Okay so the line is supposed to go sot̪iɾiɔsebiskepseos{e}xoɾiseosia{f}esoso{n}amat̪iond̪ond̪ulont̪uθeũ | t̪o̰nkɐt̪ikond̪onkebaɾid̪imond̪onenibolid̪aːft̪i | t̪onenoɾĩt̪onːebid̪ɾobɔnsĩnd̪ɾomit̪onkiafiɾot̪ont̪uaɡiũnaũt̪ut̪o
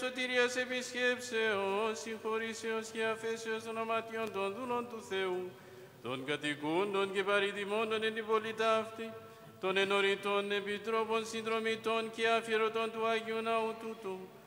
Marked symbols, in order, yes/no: no, yes, yes

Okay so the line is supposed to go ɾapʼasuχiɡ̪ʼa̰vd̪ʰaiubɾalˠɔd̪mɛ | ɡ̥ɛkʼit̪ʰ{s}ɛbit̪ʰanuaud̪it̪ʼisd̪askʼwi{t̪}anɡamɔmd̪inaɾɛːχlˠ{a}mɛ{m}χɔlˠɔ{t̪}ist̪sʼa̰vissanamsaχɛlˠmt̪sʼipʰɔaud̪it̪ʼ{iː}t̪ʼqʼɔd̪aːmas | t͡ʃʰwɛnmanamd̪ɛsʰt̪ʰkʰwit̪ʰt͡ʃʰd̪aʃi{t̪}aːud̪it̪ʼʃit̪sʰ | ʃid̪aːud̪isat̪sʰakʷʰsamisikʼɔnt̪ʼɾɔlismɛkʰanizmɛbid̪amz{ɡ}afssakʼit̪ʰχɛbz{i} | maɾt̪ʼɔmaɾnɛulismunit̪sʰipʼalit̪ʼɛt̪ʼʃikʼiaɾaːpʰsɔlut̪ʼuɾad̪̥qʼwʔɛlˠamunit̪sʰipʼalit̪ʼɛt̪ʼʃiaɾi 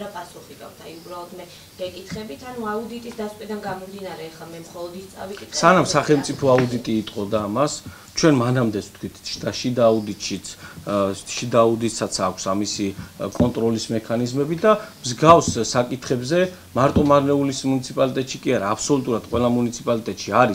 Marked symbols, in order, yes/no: no, no, yes, yes, no, yes, no, yes, no

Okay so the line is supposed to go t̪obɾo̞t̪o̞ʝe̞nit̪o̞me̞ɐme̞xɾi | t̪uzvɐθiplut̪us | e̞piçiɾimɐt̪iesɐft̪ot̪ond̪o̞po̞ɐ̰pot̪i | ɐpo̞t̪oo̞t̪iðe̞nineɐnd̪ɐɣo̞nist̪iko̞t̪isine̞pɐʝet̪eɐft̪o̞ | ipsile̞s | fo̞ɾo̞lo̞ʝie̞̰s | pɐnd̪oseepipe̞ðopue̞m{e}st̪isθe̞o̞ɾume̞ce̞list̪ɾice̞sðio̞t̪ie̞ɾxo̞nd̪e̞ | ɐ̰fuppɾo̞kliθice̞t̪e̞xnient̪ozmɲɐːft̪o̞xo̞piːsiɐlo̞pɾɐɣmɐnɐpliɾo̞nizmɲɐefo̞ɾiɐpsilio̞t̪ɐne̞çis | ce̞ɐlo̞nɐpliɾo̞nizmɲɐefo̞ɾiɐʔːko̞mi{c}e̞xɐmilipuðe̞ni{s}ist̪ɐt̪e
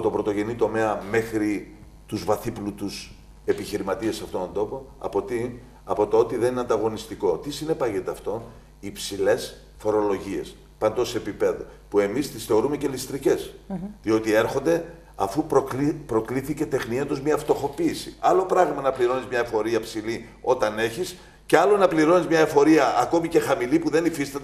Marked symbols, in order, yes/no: no, yes, no

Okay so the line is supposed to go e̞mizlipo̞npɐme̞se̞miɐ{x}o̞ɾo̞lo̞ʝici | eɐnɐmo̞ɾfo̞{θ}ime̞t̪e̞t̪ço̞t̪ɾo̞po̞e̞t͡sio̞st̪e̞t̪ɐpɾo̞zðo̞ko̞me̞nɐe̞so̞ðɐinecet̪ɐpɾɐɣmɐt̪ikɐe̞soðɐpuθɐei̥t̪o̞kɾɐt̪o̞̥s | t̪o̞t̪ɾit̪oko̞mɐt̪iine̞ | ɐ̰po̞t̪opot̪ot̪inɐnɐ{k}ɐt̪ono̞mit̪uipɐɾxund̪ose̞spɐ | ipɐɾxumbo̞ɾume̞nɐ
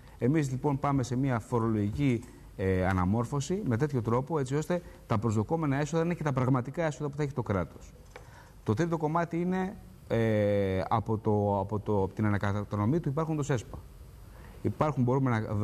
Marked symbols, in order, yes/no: no, no, yes

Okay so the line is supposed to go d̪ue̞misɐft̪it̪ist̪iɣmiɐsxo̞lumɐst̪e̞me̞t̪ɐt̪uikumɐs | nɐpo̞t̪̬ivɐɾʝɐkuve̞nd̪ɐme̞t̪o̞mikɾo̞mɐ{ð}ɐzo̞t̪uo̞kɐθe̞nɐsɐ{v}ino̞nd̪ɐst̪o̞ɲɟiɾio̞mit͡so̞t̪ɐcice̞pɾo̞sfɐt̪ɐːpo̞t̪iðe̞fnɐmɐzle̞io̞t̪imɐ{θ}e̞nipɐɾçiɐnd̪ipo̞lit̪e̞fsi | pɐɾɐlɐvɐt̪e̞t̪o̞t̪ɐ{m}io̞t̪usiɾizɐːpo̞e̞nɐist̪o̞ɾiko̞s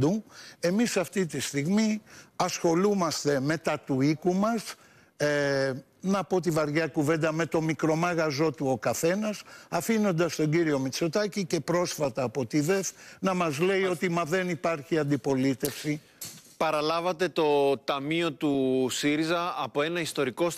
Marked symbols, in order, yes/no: no, no, no, yes

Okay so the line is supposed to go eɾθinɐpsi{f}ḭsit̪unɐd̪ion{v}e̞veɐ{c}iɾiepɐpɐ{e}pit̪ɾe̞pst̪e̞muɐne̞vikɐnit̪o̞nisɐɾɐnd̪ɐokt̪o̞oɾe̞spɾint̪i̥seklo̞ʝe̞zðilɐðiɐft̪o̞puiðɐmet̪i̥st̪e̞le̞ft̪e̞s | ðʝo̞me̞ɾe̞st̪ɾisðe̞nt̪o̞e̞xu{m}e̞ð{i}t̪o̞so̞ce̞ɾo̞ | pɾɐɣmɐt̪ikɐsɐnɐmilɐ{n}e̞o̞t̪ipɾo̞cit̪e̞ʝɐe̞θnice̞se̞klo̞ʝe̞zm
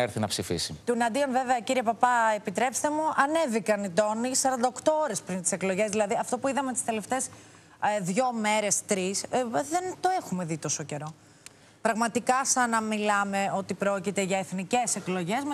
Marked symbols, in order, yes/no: yes, yes, yes, yes, yes, yes, no

